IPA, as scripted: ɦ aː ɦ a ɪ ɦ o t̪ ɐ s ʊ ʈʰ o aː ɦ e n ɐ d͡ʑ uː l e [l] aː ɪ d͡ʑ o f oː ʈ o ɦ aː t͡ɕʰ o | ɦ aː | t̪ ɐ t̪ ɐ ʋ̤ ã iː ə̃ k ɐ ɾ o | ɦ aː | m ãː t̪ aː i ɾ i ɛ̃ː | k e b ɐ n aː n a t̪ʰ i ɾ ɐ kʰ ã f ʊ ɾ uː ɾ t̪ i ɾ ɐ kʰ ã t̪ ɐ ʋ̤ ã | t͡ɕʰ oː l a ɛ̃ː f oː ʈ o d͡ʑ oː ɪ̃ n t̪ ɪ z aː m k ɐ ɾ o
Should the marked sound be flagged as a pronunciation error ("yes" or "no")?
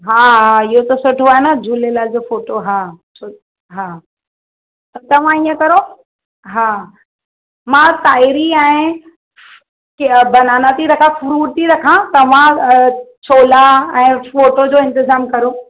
no